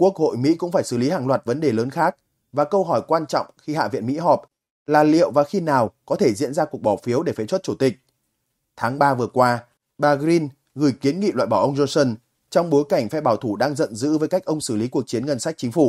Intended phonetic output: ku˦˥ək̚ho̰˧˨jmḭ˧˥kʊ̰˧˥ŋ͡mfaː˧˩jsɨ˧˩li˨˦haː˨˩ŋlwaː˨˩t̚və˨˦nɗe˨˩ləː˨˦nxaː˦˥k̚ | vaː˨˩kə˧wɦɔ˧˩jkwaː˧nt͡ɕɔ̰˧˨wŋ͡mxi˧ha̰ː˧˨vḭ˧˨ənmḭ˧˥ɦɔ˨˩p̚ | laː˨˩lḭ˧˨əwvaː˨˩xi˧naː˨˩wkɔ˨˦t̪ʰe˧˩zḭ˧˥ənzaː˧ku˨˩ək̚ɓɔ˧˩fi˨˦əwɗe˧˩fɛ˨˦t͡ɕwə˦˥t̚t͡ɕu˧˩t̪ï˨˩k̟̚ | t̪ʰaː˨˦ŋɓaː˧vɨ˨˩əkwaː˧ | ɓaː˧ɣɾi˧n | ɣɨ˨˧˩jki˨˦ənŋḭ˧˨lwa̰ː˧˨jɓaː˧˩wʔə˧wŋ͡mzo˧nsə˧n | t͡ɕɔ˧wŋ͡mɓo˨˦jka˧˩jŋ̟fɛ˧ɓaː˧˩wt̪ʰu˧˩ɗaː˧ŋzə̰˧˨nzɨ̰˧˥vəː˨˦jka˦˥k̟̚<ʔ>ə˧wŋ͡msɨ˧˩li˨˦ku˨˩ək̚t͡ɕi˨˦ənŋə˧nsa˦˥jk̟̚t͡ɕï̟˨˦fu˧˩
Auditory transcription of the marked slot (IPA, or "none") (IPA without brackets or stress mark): ʔ